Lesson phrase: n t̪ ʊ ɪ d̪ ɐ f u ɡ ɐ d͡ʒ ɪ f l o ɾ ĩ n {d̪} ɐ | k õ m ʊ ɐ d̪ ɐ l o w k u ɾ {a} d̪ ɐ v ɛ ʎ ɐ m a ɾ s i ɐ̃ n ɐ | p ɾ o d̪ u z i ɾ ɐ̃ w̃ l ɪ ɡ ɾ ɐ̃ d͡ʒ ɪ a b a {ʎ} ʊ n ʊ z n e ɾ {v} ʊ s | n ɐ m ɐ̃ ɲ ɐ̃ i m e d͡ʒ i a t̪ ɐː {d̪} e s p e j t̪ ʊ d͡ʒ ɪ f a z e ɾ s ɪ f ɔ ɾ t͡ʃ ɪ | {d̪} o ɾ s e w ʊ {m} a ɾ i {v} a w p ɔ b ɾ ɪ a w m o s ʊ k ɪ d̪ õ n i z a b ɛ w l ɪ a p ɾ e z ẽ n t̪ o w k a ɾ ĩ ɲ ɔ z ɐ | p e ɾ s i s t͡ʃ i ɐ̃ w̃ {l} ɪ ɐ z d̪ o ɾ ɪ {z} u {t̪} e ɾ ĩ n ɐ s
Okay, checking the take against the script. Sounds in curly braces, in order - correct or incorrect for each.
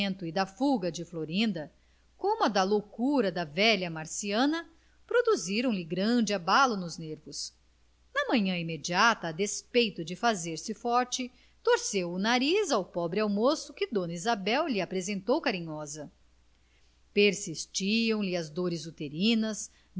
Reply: correct, incorrect: ɐ, incorrect: l, correct, correct, incorrect: t̪, incorrect: n, incorrect: z, correct, correct, correct

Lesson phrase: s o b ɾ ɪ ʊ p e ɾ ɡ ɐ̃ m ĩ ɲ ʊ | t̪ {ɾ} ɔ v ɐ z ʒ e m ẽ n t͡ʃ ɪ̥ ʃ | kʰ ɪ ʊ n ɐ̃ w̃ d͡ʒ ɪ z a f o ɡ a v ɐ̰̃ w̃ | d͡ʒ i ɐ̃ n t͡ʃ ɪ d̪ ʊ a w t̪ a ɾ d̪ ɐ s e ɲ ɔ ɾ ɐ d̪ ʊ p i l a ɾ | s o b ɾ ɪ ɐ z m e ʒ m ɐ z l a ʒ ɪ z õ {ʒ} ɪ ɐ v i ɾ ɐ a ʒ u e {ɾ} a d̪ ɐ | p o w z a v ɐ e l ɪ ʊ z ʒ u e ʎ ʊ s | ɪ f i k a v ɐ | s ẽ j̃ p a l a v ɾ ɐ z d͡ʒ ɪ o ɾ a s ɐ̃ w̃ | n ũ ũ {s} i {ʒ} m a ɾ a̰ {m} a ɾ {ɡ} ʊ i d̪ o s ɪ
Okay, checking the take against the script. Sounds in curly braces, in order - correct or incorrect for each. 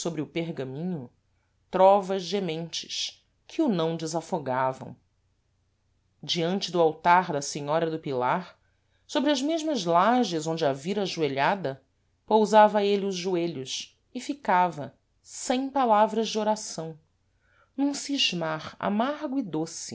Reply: correct, incorrect: d͡ʒ, incorrect: ʎ, correct, correct, correct, correct

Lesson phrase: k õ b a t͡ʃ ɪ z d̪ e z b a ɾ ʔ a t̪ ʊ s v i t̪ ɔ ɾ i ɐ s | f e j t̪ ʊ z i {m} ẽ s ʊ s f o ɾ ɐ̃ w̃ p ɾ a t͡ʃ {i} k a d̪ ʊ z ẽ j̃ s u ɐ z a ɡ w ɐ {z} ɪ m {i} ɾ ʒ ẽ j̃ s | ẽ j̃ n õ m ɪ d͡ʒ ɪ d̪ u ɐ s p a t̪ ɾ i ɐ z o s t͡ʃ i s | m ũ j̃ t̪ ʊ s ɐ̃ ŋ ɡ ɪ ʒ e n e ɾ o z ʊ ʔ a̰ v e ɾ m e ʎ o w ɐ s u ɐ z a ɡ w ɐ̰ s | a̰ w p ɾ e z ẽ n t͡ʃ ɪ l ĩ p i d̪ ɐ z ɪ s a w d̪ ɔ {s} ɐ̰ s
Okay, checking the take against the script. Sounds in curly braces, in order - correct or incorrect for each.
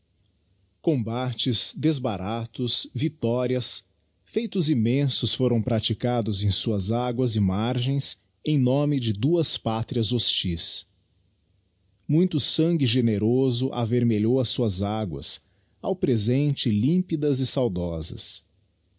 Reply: correct, correct, correct, incorrect: a, incorrect: z

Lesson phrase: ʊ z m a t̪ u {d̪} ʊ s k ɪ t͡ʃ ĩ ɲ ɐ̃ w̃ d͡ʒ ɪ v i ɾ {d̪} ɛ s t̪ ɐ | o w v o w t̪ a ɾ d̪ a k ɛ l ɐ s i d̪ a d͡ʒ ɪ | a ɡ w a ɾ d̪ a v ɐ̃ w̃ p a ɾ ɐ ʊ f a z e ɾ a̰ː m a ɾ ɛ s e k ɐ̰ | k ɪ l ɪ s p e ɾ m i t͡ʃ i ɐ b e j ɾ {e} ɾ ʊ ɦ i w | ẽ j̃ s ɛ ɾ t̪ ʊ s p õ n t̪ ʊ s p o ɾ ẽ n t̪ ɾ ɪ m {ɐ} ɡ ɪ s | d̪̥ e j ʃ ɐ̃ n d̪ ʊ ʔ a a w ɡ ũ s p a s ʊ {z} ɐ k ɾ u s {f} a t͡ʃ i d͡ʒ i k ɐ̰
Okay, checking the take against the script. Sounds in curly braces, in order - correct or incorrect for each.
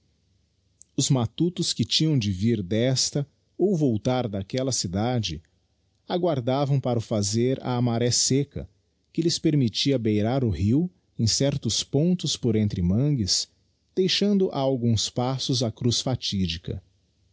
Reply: incorrect: t̪, correct, incorrect: a, incorrect: ɐ̃, correct, correct

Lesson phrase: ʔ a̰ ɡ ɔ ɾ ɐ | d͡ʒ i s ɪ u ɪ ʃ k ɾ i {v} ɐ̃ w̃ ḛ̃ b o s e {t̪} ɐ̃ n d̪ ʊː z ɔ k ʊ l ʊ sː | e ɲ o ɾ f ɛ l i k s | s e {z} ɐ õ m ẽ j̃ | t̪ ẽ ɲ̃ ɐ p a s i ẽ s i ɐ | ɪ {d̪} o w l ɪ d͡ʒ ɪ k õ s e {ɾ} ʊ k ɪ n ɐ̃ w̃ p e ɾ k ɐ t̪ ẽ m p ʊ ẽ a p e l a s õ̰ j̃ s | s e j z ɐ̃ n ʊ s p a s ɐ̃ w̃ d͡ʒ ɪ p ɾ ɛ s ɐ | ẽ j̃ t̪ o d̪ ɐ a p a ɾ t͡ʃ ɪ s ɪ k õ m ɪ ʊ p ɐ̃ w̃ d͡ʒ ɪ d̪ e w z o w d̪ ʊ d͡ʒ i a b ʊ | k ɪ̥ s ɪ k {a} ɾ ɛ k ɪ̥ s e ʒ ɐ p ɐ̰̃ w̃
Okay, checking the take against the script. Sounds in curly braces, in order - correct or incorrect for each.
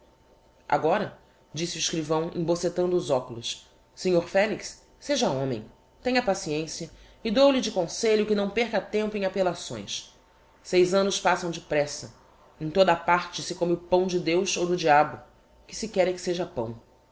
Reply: correct, correct, incorrect: ʒ, correct, incorrect: ʎ, incorrect: ɛ

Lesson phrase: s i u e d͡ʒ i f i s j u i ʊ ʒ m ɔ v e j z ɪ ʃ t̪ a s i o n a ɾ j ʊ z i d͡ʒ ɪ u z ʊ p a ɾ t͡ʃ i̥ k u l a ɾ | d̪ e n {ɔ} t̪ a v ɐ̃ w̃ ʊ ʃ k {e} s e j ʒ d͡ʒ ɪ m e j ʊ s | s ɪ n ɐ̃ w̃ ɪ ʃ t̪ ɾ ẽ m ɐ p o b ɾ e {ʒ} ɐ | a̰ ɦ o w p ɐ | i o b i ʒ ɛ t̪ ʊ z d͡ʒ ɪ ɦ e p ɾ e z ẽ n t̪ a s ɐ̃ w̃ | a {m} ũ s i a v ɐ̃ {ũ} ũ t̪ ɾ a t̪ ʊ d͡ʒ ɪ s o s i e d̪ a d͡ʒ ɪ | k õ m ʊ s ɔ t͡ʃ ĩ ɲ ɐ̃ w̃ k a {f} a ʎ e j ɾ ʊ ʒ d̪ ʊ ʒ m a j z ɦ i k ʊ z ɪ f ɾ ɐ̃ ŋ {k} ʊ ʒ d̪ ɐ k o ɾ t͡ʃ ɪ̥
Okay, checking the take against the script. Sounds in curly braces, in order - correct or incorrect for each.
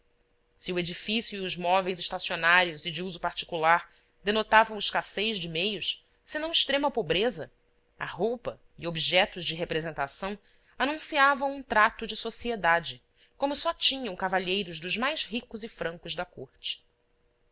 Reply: incorrect: o, incorrect: a, incorrect: z, incorrect: n, incorrect: w̃, incorrect: v, correct

